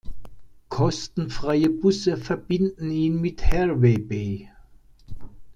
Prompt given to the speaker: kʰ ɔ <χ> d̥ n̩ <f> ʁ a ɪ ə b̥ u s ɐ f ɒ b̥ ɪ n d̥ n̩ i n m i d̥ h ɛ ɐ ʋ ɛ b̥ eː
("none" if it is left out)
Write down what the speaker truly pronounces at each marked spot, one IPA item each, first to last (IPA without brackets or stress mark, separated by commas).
s, f